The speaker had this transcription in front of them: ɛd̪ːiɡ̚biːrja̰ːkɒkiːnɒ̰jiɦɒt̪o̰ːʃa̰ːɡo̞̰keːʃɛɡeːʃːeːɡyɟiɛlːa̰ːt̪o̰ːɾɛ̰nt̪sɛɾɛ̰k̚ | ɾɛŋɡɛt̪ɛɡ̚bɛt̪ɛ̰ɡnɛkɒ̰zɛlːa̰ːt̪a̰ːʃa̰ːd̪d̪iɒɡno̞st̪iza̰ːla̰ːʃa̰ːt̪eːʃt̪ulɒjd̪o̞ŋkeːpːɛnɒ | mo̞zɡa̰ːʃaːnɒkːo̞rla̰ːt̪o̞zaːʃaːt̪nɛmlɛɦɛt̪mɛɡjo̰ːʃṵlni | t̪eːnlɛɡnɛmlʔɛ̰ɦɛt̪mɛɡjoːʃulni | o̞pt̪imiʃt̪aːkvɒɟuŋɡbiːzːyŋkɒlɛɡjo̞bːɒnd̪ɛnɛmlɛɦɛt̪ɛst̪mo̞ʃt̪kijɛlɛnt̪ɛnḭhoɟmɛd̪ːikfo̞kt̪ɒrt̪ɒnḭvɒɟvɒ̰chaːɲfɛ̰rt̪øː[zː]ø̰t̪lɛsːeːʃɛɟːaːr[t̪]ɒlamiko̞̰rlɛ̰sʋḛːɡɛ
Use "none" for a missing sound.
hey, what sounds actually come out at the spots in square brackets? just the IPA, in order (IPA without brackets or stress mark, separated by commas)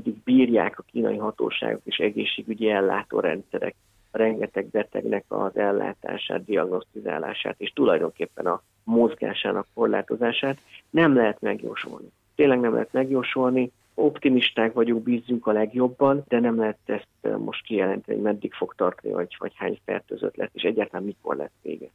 z, t̪